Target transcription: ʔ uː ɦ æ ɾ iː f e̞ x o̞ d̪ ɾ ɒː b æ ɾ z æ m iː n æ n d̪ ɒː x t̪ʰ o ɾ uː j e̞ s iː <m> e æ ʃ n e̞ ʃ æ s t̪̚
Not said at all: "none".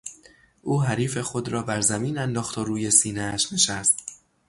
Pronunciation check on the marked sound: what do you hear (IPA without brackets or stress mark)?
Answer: n